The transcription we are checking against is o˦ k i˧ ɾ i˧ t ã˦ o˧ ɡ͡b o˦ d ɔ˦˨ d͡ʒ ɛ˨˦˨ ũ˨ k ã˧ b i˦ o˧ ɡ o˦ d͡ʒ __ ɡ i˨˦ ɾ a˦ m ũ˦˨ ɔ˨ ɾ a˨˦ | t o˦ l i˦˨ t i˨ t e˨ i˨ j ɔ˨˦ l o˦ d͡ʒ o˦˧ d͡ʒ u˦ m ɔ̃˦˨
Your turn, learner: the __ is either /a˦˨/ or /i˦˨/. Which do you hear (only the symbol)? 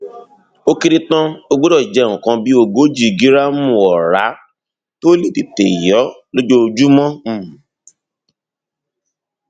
i˦˨